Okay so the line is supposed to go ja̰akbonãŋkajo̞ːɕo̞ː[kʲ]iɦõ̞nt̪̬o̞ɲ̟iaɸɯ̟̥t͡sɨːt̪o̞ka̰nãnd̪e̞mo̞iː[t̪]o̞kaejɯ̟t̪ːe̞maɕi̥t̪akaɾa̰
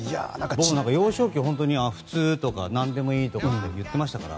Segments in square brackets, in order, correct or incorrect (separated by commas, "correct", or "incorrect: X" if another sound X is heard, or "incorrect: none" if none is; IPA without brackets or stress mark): correct, correct